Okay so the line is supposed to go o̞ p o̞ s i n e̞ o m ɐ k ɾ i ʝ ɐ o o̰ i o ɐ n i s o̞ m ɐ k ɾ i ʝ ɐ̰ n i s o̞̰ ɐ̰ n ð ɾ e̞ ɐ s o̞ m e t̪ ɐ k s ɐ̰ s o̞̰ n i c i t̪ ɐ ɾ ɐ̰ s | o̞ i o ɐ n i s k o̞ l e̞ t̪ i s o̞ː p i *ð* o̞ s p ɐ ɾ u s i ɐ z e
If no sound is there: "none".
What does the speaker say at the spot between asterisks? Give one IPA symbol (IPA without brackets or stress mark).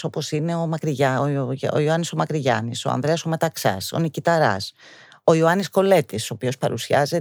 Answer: none